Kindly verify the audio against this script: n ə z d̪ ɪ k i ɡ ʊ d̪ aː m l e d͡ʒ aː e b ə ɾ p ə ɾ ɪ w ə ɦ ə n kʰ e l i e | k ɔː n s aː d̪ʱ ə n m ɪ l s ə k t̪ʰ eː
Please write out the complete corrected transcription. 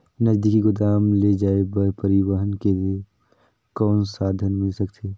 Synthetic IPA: n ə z d̪ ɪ k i ɡ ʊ d̪ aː m l e d͡ʒ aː e b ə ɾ p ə ɾ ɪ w ə ɦ ə n k e l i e | k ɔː n s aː d̪ʱ ə n m ɪ l s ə k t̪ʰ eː